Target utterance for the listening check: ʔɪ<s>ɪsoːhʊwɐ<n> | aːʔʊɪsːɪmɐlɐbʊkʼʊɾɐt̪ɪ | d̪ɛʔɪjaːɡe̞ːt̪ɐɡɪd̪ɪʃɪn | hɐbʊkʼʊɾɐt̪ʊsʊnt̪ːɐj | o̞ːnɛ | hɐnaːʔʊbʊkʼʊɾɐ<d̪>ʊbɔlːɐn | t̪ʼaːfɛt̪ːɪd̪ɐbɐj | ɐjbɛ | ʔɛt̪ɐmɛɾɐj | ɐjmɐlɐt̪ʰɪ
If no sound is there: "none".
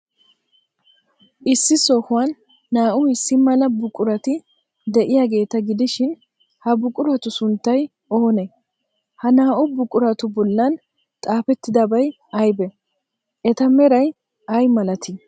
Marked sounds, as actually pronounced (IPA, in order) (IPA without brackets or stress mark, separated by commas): sː, nː, t̪